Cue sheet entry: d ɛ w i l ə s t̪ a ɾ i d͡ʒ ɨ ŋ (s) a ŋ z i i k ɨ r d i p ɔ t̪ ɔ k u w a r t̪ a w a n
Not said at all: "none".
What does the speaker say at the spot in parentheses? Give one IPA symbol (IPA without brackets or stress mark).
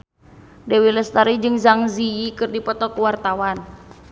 z